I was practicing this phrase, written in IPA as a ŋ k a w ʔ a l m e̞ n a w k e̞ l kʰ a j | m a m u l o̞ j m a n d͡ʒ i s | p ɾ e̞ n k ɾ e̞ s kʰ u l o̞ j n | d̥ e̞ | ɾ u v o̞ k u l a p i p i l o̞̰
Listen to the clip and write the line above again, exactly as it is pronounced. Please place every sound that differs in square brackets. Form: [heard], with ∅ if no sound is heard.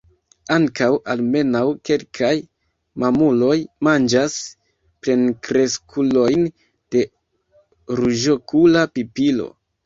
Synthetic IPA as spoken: a ŋ k a w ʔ a l m e̞ n a w k e̞ l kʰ a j | m a m u l o̞ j m a n d͡ʒ [a] s | p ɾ e̞ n k ɾ e̞ s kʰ u l o̞ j n | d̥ e̞ | ɾ u [ʒ] o̞ k u l a p i p i l o̞̰